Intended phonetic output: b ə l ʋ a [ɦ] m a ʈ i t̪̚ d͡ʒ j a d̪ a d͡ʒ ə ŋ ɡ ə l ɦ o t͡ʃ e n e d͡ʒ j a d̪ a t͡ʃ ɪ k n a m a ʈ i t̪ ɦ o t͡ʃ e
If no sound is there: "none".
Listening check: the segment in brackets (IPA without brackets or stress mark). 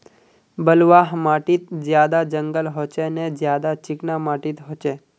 ɦ